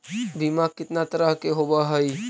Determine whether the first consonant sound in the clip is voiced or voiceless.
voiced